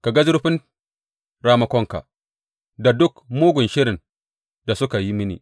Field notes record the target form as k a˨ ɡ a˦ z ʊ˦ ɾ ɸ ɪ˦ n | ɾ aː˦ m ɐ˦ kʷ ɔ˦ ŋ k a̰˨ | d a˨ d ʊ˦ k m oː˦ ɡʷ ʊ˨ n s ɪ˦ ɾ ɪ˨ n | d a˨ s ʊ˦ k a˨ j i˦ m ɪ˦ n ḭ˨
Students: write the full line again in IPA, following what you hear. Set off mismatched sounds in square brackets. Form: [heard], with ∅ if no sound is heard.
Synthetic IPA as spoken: k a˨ ɡ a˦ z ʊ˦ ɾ ɸ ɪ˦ n | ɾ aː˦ m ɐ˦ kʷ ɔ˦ ŋ k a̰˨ | d a˨ d ʊ˦ k m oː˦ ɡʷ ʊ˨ n [ʃ] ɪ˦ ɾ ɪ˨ n | d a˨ s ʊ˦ k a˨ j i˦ m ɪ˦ n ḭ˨